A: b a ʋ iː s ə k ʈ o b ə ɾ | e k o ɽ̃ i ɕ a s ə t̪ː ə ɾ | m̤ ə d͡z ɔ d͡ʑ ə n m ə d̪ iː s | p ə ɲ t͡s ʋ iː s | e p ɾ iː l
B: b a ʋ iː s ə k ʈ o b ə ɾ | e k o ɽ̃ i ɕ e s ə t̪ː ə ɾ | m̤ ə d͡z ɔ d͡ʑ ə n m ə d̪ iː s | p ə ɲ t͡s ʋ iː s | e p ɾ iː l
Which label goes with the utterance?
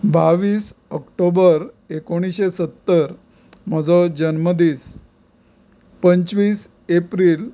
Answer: B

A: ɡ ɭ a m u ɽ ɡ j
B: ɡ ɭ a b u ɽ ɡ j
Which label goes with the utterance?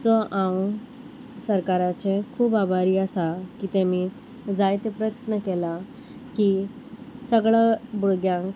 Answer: B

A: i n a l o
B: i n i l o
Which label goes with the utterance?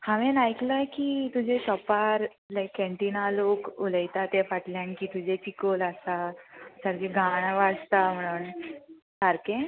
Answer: A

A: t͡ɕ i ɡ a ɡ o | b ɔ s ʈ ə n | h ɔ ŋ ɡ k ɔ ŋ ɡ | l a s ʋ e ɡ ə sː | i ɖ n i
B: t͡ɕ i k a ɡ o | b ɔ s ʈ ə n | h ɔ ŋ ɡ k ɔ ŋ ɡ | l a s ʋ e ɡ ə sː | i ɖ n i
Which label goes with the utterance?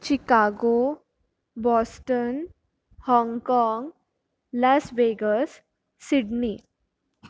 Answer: B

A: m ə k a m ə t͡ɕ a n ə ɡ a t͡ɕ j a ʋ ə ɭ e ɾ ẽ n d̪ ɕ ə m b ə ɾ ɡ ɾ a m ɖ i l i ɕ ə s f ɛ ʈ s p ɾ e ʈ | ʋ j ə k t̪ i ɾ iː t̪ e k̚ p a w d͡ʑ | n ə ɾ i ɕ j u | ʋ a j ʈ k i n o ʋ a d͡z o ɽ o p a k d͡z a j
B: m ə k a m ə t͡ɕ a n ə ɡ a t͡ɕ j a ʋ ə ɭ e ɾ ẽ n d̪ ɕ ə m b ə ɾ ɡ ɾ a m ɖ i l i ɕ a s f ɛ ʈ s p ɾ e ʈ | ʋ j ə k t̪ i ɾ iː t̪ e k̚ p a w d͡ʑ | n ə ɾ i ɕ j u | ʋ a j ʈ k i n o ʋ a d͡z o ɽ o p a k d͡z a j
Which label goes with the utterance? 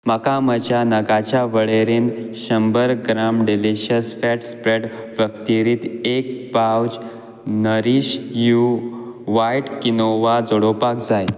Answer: A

